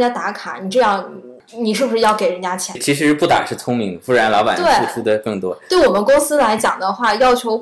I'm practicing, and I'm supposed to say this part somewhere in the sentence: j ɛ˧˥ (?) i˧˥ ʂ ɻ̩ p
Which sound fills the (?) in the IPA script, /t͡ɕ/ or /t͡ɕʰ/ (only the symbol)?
t͡ɕʰ